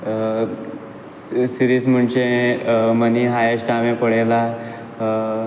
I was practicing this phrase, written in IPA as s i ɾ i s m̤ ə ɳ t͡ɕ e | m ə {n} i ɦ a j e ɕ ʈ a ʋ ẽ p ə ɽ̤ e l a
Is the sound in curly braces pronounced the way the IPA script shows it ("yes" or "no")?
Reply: yes